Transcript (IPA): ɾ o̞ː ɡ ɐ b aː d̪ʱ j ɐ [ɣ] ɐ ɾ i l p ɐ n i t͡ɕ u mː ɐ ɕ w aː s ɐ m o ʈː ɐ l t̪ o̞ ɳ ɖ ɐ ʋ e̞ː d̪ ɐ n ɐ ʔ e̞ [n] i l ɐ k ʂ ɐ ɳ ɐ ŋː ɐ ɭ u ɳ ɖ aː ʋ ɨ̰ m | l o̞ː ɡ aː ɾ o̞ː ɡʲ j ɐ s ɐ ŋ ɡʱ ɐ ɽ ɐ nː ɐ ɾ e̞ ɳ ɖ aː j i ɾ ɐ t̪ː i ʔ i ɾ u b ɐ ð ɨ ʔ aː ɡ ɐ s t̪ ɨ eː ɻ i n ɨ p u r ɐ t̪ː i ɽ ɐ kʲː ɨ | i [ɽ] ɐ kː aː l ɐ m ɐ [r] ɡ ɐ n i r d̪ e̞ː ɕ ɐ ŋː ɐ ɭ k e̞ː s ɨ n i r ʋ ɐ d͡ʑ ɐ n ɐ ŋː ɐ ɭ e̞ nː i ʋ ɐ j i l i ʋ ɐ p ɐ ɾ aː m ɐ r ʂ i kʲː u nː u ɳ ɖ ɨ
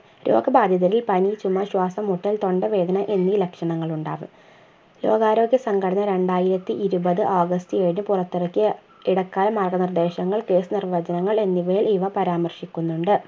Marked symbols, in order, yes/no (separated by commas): no, no, yes, yes